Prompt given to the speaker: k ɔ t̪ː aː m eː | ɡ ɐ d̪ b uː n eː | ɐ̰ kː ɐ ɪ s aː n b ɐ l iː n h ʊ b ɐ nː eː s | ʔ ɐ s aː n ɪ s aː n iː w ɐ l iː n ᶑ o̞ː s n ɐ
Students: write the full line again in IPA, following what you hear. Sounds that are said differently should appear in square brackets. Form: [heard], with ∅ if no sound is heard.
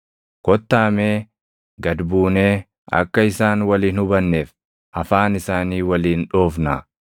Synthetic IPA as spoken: k ɔ t̪ː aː m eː | ɡ ɐ d̪ b uː n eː | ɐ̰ kː ɐ ɪ s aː n [w] ɐ l iː n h ʊ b ɐ nː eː [f] | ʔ ɐ [f] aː n ɪ s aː n iː w ɐ l iː n ᶑ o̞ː [f] n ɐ